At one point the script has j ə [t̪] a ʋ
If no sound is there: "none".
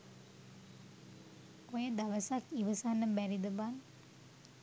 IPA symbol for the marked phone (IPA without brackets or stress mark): d̪